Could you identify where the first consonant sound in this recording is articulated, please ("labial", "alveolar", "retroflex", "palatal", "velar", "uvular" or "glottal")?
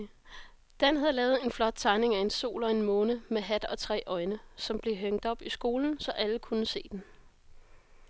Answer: alveolar